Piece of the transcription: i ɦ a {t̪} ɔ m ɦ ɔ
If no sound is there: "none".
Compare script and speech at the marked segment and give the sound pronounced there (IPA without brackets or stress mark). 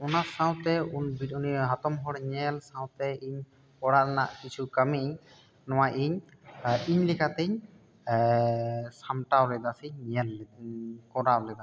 t̪